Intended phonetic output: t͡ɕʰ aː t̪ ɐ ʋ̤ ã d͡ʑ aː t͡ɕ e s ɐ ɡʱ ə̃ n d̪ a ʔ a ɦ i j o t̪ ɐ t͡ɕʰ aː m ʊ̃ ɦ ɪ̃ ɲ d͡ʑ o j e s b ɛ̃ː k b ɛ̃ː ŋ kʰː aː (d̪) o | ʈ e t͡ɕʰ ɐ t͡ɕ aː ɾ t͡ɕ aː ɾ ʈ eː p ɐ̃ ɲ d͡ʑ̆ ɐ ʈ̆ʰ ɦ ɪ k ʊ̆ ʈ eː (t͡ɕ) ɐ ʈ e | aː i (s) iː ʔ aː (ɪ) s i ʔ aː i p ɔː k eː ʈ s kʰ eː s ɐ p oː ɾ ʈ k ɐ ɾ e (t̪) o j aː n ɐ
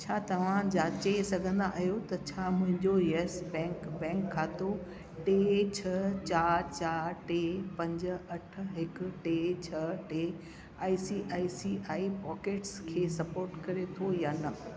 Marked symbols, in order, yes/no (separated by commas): no, no, yes, no, no